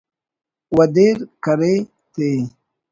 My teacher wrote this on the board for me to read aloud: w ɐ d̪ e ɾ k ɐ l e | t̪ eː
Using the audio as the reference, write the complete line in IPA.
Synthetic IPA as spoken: w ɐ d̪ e ɾ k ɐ ɾ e | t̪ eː